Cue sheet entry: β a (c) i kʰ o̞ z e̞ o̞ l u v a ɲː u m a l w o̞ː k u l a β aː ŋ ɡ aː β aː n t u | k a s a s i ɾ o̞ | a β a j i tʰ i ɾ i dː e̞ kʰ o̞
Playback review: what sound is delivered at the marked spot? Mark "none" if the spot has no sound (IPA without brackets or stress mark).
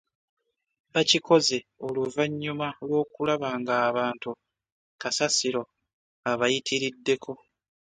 c